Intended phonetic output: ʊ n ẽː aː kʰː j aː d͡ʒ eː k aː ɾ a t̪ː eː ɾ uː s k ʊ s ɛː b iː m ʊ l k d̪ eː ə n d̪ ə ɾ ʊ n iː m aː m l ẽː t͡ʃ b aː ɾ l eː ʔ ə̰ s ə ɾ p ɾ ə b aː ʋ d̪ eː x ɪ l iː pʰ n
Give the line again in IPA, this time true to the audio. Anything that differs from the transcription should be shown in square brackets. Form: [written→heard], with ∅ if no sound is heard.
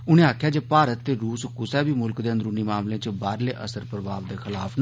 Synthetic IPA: ʊ n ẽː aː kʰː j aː d͡ʒ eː [k→p] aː ɾ [a→ə] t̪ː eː ɾ uː s k ʊ s ɛː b iː m ʊ l k d̪ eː ə n d̪ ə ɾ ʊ n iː m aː m l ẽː t͡ʃ b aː ɾ l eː ʔ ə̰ s ə ɾ p ɾ ə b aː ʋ d̪ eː x ɪ l [iː→aː] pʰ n